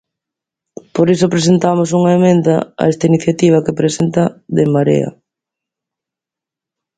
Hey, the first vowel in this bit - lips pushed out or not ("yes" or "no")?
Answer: yes